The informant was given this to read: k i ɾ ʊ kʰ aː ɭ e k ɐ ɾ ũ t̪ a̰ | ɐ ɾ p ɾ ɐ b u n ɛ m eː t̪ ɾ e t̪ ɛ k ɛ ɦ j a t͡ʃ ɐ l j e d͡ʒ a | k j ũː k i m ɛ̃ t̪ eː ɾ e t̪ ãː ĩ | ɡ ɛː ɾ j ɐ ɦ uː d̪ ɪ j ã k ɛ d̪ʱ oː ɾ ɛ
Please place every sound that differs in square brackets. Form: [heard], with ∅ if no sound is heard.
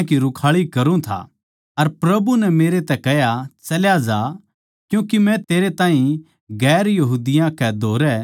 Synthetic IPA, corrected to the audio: k i ɾ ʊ kʰ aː ɭ [i] k ɐ ɾ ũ [t̪ʰ] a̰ | ɐ ɾ p ɾ ɐ b u n ɛ m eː [∅] ɾ e t̪ ɛ k ɛ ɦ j a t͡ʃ ɐ l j [a] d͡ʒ a | k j ũː k i m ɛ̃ t̪ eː ɾ e t̪ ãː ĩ | ɡ ɛː ɾ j ɐ ɦ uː d̪ ɪ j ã k ɛ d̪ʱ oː ɾ ɛ